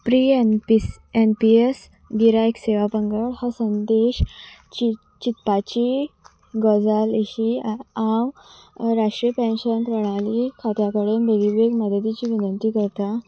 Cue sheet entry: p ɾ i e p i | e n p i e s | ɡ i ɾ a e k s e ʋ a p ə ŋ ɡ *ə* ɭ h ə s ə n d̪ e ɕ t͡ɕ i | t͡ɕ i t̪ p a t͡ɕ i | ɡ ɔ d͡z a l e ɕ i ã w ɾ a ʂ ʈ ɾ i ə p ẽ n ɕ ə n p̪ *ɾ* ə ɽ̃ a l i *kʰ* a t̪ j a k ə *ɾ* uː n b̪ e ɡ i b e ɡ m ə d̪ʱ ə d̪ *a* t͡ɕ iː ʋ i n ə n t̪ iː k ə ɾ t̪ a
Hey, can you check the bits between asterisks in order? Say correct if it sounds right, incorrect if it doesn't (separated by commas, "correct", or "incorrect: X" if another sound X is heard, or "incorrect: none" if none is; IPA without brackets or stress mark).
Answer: correct, correct, correct, incorrect: ɽ, incorrect: i